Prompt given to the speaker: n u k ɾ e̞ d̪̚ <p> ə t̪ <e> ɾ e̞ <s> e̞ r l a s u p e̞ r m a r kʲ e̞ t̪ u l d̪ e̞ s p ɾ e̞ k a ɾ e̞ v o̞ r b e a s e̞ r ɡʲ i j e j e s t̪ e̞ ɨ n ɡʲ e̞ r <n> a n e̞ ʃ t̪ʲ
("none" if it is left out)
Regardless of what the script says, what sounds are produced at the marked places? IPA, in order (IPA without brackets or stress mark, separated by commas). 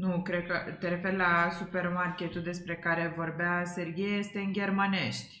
k, e, f, m